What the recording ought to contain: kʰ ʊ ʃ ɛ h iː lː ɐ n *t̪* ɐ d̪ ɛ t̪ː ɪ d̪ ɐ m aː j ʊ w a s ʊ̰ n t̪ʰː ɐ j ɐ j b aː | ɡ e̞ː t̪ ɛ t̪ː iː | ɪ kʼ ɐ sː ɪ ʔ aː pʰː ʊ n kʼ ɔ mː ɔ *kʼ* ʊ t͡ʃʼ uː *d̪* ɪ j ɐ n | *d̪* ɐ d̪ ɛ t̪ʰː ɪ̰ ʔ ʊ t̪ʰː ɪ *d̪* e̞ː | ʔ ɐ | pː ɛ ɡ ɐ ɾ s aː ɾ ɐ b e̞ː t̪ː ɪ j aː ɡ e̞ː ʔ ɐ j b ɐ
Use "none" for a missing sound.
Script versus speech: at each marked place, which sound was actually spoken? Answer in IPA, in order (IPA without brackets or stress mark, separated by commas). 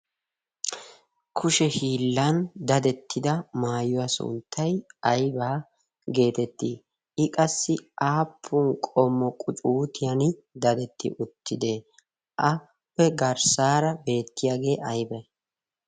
d̪, kʼ, t̪, d̪, d̪